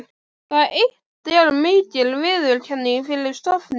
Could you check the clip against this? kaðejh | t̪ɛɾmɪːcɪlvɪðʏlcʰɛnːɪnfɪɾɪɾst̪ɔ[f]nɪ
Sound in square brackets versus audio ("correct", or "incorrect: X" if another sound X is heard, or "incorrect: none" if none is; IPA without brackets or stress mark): correct